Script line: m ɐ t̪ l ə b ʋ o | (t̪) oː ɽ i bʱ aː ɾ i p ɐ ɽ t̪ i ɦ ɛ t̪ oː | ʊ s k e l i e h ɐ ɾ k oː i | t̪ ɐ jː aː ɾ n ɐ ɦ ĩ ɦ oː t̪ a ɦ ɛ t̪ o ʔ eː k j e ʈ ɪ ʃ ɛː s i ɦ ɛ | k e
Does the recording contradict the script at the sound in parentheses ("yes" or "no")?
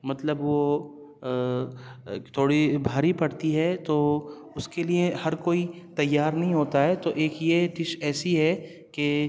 yes